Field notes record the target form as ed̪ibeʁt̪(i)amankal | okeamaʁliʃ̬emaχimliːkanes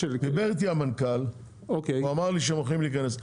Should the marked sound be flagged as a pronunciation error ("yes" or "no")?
no